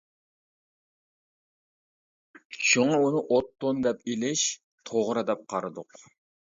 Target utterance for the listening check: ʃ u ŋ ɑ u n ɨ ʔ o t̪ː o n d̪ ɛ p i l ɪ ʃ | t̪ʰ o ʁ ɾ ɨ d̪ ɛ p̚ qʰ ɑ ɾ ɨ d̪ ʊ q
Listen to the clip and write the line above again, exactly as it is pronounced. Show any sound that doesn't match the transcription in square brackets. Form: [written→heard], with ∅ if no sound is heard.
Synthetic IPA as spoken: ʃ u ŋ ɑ u n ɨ ʔ o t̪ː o n d̪ ɛ p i l ɪ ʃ | t̪ʰ o ʁ ɾ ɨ d̪ ɛ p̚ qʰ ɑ ɾ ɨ d̪ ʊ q